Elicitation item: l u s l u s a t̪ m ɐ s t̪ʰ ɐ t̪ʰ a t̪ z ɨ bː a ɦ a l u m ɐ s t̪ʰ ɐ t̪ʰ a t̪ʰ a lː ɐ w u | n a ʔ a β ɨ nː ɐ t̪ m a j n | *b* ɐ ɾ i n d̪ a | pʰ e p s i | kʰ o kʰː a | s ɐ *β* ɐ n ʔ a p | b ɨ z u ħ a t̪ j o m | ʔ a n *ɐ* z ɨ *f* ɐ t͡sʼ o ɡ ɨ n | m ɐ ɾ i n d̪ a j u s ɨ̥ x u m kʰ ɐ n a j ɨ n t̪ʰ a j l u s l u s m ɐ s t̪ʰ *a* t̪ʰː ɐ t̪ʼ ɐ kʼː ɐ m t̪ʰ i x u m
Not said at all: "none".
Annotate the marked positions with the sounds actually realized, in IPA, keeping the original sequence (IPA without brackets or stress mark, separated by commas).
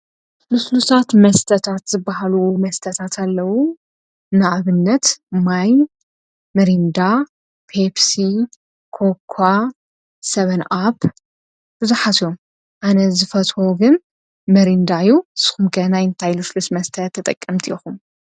m, β, ɐ, f, ɐ